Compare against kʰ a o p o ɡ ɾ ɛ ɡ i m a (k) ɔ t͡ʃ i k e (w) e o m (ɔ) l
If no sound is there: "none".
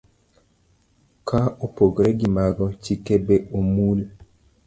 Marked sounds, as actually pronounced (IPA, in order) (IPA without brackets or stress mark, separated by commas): ɡ, b, u